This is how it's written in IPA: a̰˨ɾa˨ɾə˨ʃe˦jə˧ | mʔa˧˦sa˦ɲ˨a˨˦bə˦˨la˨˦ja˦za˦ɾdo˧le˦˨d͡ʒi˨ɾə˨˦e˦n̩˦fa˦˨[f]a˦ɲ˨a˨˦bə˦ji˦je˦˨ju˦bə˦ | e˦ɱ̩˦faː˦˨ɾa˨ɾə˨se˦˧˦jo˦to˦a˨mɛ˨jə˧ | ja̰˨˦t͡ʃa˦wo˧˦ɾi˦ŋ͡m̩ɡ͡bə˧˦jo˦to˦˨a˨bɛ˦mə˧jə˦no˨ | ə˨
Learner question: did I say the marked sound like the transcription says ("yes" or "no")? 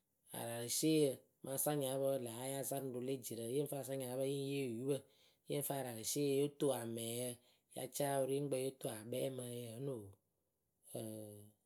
no